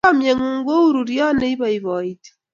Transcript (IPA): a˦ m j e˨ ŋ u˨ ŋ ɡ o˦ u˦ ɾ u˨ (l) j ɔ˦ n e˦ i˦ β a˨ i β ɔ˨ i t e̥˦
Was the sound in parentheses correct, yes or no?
no